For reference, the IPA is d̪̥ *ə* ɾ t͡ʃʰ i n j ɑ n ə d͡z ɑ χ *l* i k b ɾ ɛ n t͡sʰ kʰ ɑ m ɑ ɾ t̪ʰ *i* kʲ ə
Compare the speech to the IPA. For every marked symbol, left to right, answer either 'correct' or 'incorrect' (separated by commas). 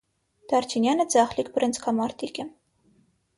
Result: incorrect, correct, correct